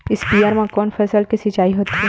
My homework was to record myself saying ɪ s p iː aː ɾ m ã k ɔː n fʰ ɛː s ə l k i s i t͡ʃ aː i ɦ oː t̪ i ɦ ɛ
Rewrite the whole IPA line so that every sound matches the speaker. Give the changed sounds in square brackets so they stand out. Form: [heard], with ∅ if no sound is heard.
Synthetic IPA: ɪ s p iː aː ɾ m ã k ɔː n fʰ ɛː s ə l k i s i t͡ʃ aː i ɦ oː t̪ i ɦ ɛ